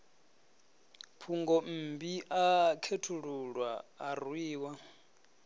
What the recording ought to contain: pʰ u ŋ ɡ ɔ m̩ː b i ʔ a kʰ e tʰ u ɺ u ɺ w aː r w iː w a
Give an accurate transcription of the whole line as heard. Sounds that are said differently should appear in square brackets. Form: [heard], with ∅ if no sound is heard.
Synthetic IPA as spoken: pʰ u ŋ ɡ ɔ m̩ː b i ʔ a kʰ e tʰ u ɺ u ɺ w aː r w iː w a